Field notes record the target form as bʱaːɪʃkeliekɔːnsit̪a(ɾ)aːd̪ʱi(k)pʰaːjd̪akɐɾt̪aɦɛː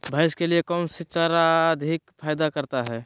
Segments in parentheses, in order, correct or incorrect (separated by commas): correct, correct